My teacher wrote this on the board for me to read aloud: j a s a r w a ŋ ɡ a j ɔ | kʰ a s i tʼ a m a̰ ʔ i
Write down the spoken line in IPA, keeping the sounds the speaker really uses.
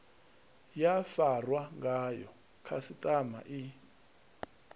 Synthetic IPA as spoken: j a f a r w a ŋ ɡ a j ɔ | kʰ a s i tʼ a m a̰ ʔ i